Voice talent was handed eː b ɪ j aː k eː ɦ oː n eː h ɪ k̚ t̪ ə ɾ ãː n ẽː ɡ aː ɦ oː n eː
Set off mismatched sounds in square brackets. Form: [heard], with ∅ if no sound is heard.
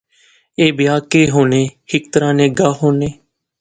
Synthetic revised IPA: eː b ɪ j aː k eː ɦ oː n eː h ɪ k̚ t̪ ə ɾ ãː n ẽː ɡ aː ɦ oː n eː